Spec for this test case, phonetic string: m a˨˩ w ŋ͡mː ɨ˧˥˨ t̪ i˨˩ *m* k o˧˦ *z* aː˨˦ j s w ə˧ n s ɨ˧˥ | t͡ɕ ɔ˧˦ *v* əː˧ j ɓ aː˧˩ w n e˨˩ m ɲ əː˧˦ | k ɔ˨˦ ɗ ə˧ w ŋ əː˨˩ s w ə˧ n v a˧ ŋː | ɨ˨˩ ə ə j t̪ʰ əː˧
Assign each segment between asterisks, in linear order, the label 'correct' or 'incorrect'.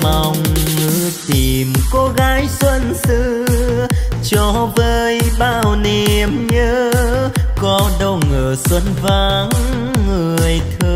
correct, incorrect: ɣ, correct

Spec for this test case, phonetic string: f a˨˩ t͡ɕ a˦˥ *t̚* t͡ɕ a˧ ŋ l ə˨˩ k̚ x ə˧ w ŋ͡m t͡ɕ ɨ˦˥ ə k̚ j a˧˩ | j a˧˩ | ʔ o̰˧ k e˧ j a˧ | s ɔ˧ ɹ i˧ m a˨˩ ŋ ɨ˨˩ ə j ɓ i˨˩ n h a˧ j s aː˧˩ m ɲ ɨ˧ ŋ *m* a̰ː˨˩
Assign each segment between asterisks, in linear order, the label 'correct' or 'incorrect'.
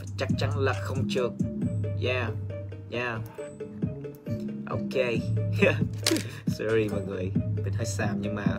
incorrect: k̚, correct

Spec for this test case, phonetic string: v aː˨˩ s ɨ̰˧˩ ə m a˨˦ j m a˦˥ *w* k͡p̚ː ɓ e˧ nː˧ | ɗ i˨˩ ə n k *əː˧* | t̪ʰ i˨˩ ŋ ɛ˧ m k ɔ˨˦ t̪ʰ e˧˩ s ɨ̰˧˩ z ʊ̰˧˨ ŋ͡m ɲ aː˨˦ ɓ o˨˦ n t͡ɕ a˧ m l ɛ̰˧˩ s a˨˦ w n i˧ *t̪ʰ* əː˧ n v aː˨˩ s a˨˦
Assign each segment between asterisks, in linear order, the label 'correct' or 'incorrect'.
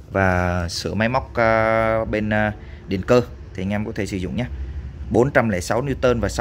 correct, correct, incorrect: t̪

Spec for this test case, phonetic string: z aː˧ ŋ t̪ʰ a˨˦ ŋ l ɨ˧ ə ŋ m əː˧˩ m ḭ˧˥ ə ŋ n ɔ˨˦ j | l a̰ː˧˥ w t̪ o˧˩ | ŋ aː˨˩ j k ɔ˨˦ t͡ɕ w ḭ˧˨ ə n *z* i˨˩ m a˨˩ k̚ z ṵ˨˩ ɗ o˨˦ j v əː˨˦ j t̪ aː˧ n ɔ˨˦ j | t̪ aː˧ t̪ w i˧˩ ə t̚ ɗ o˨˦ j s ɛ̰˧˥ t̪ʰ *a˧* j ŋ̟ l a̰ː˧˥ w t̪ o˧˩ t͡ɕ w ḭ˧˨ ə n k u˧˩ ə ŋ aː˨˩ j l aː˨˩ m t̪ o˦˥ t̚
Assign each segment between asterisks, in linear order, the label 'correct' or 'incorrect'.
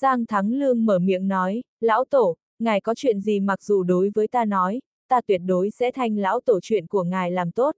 correct, correct

